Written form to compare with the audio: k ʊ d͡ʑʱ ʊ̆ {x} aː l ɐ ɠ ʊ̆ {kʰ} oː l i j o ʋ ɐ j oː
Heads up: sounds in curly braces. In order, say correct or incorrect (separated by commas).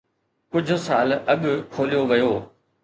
incorrect, correct